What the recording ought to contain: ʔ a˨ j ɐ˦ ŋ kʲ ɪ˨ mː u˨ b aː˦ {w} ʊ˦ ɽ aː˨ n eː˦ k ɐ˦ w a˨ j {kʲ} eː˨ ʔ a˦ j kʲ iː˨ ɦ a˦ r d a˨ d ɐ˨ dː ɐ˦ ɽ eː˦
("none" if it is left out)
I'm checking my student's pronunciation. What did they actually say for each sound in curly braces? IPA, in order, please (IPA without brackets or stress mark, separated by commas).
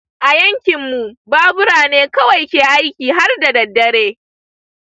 b, kʲ